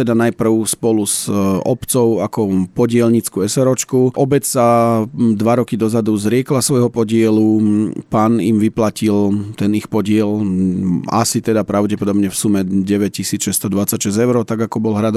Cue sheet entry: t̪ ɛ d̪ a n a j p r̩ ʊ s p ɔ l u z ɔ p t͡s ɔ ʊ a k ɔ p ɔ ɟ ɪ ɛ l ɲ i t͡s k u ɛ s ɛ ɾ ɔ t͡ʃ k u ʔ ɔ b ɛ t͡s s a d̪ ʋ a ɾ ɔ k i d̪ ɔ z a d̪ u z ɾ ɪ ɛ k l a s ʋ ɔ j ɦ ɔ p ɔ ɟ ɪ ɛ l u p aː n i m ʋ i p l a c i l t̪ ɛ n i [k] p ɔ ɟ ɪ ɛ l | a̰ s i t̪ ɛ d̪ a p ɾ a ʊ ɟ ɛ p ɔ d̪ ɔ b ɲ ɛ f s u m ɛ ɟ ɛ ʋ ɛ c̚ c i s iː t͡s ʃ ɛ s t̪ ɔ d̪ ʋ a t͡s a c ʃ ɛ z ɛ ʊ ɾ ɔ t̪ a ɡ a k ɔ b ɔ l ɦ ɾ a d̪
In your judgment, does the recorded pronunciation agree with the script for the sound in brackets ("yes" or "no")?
no